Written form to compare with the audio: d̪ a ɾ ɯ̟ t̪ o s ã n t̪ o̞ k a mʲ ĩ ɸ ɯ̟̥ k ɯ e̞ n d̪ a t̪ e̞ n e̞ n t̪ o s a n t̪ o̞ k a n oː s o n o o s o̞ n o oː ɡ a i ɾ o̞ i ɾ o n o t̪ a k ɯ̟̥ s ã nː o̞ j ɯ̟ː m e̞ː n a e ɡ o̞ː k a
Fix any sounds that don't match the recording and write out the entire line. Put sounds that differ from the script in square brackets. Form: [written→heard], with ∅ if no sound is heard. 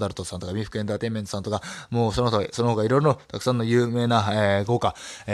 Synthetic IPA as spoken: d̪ a ɾ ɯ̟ t̪ o s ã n t̪ o̞ k a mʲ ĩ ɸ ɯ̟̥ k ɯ e̞ n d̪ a t̪ e̞ [n→m] e̞ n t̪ o s a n t̪ o̞ k a [n→m] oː s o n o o s o̞ n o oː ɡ a i ɾ o̞ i ɾ o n o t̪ a k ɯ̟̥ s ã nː o̞ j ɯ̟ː m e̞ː n a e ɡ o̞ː k a